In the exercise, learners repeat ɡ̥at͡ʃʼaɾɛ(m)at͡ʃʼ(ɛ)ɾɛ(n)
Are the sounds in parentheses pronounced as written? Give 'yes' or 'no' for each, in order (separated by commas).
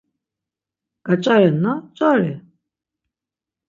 no, no, no